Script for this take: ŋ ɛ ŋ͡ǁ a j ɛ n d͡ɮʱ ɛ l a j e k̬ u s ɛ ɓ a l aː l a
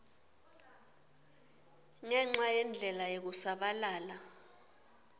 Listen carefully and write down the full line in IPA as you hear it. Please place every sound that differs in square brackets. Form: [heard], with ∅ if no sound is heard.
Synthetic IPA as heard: ŋ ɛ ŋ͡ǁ a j ɛ n d͡ɮʱ ɛ l a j e k̬ u s [a] ɓ a l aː l a